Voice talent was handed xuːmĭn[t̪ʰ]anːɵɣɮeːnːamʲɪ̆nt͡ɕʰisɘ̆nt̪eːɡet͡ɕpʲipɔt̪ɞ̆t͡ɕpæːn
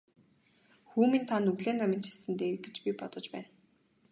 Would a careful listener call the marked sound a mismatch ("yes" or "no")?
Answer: no